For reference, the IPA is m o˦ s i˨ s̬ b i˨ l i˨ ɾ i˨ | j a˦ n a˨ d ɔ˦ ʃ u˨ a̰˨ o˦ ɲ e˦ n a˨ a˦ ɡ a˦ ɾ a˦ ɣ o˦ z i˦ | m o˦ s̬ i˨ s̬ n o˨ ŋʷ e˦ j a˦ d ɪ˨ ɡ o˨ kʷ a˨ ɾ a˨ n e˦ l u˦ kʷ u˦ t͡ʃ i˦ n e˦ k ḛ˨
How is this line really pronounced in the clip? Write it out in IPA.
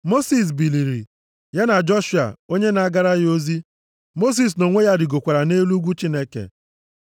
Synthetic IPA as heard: m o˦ s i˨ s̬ b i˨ l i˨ ɾ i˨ | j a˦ n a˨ d͡ʒ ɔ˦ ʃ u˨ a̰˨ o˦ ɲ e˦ n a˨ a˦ ɡ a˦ ɾ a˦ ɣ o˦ z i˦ | m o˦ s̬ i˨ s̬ n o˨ ŋʷ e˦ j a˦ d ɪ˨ ɡ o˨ kʷ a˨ ɾ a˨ n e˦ l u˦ ɡʷ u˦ t͡ʃ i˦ n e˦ k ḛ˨